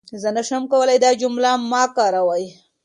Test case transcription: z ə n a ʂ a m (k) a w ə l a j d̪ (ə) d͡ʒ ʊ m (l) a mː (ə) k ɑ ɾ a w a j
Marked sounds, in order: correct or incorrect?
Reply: correct, incorrect: ɑ, correct, incorrect: ɑ

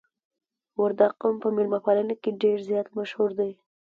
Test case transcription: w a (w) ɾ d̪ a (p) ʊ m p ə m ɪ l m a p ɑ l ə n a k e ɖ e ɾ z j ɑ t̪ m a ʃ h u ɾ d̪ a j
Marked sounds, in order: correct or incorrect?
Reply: incorrect: none, incorrect: q

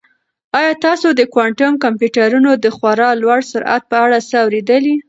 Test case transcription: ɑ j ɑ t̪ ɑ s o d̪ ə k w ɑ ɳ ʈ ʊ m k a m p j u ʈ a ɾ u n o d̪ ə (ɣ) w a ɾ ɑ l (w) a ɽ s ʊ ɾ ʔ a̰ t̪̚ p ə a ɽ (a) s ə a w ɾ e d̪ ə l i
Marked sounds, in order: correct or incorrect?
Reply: incorrect: x, correct, correct

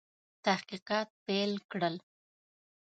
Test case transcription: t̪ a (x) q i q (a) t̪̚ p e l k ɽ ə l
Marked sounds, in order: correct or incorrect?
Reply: incorrect: h, incorrect: ɑ

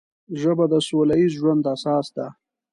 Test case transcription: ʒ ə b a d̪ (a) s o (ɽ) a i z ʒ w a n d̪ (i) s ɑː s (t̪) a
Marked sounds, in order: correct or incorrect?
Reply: incorrect: ə, incorrect: l, incorrect: a, incorrect: d̪

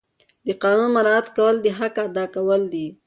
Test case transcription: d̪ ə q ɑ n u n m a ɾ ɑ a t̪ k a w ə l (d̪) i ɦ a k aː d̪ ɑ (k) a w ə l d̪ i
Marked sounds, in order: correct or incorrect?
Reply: correct, correct

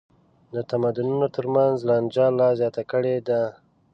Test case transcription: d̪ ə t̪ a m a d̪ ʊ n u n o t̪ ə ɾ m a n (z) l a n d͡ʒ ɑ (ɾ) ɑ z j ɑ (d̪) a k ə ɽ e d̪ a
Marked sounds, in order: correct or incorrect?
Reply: correct, incorrect: l, incorrect: t̪

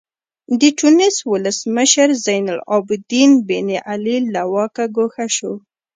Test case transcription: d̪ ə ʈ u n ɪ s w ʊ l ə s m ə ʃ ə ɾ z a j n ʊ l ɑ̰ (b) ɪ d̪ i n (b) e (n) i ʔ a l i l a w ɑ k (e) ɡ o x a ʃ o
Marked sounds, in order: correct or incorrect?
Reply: correct, correct, correct, incorrect: a

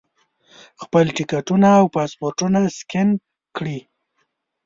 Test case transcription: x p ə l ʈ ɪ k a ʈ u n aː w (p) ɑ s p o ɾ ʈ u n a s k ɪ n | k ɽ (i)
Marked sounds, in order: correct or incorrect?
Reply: correct, correct

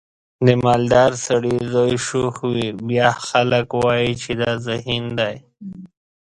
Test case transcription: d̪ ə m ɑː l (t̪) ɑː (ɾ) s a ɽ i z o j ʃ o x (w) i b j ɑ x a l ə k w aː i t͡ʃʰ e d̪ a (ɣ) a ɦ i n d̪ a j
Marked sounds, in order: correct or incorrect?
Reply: incorrect: d̪, correct, correct, incorrect: z

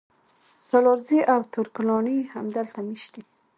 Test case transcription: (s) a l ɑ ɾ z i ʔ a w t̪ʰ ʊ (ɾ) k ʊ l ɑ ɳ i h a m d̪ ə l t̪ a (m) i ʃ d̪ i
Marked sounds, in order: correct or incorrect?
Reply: correct, correct, correct

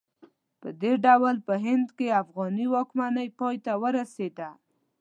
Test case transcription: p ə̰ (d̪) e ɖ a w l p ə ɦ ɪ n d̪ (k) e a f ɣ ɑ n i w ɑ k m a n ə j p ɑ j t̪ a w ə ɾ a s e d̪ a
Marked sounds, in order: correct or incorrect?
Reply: correct, correct

